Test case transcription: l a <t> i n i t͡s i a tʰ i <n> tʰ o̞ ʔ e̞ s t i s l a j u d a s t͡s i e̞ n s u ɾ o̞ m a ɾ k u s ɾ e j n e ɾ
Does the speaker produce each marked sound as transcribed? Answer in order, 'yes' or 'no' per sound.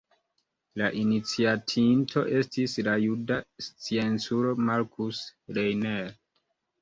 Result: no, yes

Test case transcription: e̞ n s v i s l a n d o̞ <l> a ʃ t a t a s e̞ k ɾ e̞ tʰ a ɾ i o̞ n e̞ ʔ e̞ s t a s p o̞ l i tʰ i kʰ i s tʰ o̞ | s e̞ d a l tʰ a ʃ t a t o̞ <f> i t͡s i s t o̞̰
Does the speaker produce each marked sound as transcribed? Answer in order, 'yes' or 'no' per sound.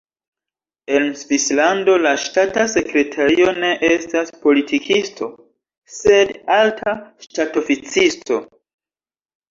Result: yes, yes

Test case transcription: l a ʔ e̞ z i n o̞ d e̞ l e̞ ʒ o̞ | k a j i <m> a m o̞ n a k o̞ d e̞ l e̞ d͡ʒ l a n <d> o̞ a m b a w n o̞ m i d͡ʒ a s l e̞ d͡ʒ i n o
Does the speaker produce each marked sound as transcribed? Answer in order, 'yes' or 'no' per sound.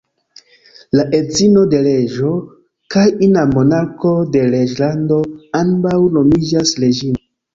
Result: no, yes

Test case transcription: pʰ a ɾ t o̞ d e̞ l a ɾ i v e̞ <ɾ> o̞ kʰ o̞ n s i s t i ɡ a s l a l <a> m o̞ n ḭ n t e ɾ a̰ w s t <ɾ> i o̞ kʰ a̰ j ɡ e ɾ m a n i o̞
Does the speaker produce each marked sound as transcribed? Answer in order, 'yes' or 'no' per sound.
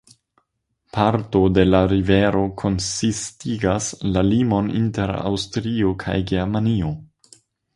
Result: yes, no, yes

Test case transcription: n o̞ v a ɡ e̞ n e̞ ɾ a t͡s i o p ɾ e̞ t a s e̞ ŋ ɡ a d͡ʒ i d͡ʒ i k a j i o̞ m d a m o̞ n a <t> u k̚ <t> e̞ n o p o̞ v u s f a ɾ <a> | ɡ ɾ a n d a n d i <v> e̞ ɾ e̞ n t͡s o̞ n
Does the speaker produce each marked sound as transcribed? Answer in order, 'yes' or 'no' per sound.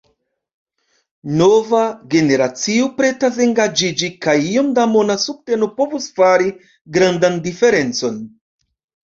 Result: no, yes, no, no

